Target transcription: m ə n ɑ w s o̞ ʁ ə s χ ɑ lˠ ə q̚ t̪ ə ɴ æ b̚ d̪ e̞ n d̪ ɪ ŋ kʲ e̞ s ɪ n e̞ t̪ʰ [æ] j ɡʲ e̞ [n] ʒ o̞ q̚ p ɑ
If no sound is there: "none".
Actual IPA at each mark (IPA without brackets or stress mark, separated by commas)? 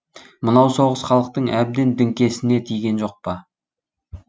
i, n